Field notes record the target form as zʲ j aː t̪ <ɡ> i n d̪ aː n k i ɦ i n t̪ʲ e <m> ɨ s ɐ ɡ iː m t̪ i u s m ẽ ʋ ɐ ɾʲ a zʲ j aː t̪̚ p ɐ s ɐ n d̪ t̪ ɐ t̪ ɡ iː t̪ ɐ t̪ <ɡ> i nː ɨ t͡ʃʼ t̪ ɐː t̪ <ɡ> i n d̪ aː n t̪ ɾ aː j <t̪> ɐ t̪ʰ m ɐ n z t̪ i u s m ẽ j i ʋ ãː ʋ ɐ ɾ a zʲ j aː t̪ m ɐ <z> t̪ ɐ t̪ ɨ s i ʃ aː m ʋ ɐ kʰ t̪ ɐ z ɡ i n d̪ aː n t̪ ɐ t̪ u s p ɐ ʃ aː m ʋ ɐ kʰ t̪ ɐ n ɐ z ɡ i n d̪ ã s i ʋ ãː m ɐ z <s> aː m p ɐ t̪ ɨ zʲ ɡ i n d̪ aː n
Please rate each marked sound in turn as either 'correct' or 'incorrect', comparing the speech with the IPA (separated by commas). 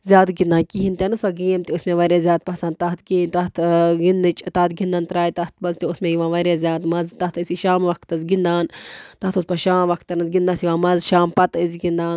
correct, incorrect, correct, correct, correct, correct, incorrect